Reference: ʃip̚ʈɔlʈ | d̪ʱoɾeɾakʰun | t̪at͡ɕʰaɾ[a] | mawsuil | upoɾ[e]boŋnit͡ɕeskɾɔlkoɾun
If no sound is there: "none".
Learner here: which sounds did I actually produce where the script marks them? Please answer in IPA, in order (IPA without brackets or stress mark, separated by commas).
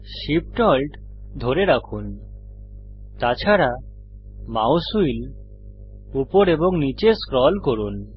a, e